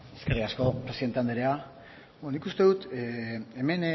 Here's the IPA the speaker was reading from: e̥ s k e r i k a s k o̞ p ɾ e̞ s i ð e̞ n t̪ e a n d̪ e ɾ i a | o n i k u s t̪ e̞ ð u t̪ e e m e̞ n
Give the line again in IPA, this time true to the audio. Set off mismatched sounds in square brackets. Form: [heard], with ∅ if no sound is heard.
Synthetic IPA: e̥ s k e r i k a s k o̞ p ɾ e̞ s i ð e̞ n t̪ e a n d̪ e ɾ [e] a | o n i k u s t̪ e̞ ð u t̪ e e m e̞ n